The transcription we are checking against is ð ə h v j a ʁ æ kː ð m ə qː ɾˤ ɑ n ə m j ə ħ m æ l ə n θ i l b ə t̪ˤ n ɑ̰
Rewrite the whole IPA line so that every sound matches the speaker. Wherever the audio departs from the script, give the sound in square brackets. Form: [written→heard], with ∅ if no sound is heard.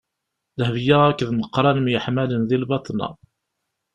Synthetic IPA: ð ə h v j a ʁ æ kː ð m ə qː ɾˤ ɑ n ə m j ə ħ m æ l ə n [θ→ð] i l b [ə→ɑ] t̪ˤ n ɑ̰